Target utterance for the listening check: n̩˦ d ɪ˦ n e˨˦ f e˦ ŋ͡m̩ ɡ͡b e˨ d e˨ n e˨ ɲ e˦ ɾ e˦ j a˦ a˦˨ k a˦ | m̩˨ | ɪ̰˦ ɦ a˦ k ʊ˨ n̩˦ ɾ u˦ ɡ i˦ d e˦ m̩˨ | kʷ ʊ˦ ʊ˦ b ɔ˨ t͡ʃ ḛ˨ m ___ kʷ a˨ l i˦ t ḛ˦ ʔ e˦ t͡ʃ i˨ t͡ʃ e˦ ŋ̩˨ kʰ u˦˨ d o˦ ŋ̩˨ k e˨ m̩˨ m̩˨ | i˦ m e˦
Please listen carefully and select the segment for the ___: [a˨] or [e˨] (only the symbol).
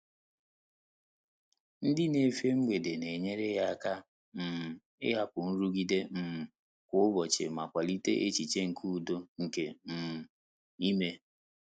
a˨